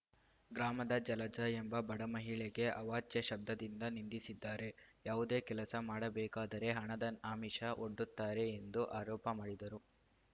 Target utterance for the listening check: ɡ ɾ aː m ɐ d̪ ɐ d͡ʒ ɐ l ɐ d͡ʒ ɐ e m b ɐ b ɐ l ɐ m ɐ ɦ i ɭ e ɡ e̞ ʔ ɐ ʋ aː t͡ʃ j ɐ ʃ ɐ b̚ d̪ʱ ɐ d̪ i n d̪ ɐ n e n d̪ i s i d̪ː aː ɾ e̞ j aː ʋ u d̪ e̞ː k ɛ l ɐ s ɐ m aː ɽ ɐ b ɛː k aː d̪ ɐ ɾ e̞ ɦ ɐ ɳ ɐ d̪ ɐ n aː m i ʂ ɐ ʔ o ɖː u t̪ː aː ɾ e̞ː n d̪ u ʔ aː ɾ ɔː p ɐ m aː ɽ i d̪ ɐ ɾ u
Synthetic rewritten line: ɡ ɾ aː m ɐ d̪ ɐ d͡ʒ ɐ l ɐ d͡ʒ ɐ e m b ɐ b ɐ ɽ ɐ m ɐ ɦ i ɭ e ɡ e̞ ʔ ɐ ʋ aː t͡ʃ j ɐ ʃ ɐ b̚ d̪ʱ ɐ d̪ i n d̪ ɐ n i n d̪ i s i d̪ː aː ɾ e̞ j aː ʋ u d̪ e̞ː k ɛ l ɐ s ɐ m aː ɽ ɐ b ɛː k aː d̪ ɐ ɾ e̞ ɦ ɐ ɳ ɐ d̪ ɐ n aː m i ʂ ɐ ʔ o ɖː u t̪ː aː ɾ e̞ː n d̪ u ʔ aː ɾ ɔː p ɐ m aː ɽ i d̪ ɐ ɾ u